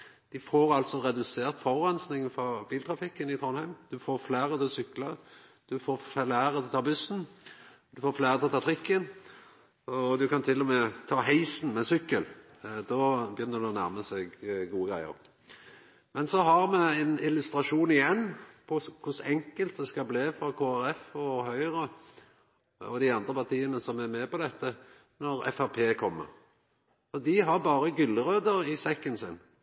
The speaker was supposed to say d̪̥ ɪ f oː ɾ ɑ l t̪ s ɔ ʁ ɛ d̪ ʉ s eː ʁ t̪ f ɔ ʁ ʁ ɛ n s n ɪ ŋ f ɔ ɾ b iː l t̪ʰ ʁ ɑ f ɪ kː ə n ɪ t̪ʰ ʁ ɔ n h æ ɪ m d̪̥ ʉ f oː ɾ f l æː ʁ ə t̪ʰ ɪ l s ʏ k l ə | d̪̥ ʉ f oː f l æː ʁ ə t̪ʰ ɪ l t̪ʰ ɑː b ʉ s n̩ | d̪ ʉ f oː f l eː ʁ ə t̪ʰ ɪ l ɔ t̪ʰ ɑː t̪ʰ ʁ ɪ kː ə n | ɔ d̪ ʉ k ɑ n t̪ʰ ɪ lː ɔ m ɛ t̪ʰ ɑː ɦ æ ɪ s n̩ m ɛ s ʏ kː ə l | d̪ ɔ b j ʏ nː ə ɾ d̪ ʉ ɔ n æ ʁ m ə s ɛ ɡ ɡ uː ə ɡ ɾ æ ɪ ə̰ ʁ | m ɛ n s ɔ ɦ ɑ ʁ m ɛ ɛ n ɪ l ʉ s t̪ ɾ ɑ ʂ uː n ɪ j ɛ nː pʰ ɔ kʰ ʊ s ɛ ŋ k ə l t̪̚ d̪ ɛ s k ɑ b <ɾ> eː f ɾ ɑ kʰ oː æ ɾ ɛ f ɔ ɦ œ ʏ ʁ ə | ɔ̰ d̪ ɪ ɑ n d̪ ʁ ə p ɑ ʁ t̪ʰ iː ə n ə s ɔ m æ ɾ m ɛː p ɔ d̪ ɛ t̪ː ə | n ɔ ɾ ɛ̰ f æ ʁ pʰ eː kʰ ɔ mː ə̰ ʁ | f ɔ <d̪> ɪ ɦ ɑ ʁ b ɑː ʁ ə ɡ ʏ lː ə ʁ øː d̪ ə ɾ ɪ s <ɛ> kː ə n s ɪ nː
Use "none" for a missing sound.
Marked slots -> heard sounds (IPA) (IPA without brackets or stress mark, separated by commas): l, d̪, ɛ